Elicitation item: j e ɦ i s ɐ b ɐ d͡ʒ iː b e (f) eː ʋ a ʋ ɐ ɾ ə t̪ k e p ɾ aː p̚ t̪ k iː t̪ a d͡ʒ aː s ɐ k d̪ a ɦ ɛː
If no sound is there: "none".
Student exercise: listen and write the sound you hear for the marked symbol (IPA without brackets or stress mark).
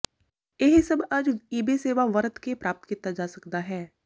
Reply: s